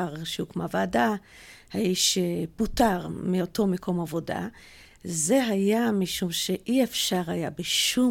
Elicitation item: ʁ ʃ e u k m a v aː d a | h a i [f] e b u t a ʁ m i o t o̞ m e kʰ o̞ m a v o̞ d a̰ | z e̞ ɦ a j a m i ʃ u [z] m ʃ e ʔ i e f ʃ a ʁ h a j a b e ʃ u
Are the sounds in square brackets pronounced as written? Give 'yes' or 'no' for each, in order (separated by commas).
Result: no, no